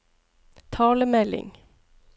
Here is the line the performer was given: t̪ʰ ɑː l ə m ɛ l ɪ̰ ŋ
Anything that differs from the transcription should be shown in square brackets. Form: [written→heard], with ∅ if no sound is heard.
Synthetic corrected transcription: t̪ʰ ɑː l ə m ɛ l ɪ̰ ŋ